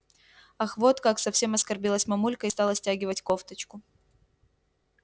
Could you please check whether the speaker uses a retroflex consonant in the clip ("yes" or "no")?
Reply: no